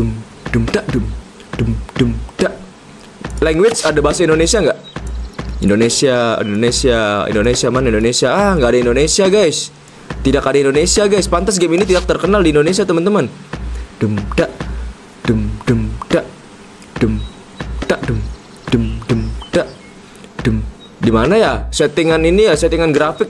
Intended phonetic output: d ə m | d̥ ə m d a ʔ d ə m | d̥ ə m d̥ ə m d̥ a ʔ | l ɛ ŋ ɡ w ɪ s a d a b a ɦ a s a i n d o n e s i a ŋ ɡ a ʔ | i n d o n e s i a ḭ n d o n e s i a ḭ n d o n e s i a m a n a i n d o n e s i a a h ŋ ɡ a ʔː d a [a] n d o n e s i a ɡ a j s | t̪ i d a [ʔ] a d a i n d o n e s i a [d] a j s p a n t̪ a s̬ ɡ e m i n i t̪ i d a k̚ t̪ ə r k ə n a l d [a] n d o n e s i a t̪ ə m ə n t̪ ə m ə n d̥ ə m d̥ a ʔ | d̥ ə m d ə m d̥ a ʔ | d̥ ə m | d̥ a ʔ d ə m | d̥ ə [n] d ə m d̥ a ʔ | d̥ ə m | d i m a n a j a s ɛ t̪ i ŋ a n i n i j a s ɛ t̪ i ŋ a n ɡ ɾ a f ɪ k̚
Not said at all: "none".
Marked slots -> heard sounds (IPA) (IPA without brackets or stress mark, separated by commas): i, k, ɡ, i, m